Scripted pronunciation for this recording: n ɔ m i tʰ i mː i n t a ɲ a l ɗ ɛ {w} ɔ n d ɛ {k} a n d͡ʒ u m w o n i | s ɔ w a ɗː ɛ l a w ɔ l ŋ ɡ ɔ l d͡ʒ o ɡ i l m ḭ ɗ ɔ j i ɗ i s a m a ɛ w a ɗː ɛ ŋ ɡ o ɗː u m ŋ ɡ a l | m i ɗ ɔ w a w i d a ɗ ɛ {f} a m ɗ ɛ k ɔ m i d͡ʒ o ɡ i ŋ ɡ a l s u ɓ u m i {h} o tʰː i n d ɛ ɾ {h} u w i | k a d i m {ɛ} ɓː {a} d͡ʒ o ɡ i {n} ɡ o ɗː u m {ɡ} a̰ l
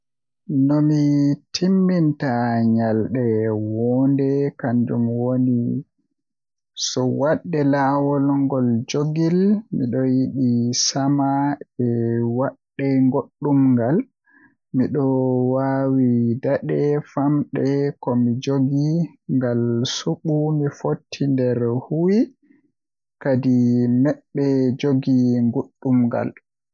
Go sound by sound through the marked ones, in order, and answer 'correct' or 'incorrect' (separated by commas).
correct, correct, correct, incorrect, correct, correct, incorrect, incorrect, correct